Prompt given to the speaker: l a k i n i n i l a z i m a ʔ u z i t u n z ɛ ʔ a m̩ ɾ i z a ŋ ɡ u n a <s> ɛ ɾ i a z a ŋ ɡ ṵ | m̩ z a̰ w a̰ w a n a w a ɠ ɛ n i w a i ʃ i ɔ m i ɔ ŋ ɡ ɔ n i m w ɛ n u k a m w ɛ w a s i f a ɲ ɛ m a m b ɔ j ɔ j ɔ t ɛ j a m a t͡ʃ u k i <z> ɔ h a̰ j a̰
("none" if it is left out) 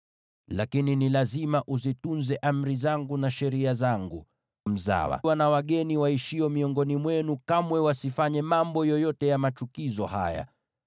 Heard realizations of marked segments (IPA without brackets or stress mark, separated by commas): ʃ, z